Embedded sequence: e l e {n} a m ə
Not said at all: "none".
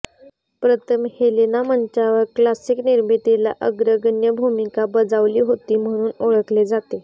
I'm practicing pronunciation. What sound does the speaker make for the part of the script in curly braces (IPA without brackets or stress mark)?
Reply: n